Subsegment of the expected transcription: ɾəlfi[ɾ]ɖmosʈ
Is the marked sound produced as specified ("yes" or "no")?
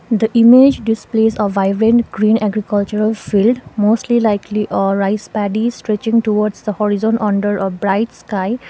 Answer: no